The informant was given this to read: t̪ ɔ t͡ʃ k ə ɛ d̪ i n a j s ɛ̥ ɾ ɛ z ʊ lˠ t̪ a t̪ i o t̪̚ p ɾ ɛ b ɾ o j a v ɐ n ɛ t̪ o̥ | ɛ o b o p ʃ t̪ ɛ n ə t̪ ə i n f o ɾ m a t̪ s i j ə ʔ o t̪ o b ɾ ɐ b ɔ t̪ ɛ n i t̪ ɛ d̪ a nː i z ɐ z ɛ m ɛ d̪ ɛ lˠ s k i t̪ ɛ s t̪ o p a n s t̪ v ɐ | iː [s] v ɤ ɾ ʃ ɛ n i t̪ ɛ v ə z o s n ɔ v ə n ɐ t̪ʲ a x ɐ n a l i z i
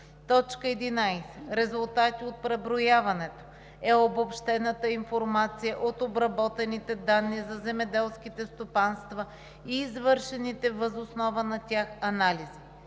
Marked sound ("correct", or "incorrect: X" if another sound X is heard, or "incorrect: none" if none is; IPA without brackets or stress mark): incorrect: z